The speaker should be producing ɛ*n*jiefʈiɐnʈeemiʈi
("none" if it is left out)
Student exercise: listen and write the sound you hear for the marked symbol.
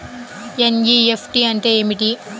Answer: n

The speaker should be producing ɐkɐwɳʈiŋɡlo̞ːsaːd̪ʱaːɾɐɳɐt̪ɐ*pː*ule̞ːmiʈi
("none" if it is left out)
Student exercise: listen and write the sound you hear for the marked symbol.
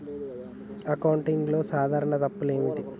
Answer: pː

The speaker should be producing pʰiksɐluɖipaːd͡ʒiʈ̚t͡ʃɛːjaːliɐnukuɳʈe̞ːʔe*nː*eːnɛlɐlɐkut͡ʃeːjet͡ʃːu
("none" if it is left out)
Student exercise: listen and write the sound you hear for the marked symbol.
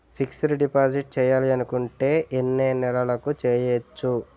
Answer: nː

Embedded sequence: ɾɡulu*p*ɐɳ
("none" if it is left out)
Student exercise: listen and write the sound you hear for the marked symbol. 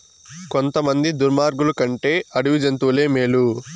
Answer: k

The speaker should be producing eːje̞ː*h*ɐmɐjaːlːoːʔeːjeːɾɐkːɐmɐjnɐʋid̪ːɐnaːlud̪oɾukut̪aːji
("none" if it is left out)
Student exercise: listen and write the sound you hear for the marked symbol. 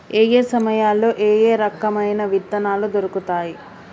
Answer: s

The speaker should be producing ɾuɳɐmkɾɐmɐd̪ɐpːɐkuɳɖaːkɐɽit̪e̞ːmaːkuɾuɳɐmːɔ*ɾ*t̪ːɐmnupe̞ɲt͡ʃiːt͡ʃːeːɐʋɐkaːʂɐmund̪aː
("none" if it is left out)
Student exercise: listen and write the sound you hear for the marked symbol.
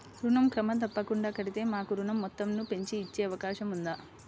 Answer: none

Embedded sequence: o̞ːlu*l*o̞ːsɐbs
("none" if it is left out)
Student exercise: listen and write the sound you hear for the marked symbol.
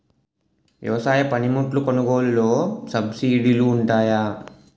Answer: l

